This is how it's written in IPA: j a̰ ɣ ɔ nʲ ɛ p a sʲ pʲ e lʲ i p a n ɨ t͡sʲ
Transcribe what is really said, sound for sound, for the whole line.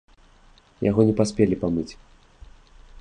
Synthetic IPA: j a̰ ɣ ɔ nʲ ɛ p a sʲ pʲ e lʲ i p a m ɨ t͡sʲ